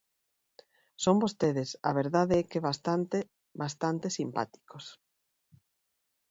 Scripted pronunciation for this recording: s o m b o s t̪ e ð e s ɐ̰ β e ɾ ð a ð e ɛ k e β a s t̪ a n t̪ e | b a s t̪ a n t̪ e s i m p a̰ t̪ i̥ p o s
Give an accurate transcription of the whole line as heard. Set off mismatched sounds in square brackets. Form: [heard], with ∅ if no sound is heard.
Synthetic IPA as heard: s o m b o s t̪ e ð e s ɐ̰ β e ɾ ð a ð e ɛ k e β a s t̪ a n t̪ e | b a s t̪ a n t̪ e s i m p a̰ t̪ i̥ [k] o s